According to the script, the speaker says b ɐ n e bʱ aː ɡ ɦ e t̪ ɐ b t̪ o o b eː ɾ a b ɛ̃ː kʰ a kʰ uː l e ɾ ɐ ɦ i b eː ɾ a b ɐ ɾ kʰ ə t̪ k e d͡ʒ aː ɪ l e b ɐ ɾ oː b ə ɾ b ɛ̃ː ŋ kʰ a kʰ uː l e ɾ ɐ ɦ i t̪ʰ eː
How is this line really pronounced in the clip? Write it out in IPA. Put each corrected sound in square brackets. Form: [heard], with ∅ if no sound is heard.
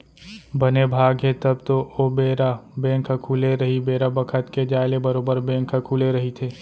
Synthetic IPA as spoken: b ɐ n e bʱ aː ɡ ɦ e t̪ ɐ b t̪ o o b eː ɾ a b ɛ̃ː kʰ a kʰ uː l e ɾ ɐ ɦ i b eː ɾ a b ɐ [∅] kʰ ə t̪ k e d͡ʒ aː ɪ l e b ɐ ɾ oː b ə ɾ b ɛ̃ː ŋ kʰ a kʰ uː l e ɾ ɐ ɦ i t̪ʰ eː